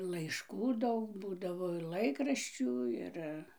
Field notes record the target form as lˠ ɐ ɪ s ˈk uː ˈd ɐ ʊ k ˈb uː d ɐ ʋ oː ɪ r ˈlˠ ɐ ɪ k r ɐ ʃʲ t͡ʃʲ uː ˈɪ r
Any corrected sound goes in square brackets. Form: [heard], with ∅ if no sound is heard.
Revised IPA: lˠ ɐ ɪ [ʃ] ˈk uː ˈd ɐ ʊ k ˈb uː d ɐ ʋ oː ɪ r ˈlˠ ɐ ɪ k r ɐ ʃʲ t͡ʃʲ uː ˈɪ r